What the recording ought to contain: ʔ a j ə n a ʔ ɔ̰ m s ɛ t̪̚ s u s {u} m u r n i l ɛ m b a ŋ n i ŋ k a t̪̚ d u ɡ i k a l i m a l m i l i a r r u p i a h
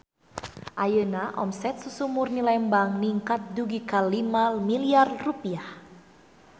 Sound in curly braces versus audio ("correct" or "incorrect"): correct